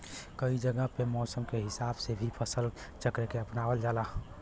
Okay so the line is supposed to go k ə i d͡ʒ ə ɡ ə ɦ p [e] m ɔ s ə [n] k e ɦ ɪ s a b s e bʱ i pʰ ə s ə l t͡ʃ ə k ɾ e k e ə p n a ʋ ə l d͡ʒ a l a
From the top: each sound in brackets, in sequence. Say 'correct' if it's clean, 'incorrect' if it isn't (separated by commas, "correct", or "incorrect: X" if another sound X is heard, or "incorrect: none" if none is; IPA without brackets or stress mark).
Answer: correct, incorrect: m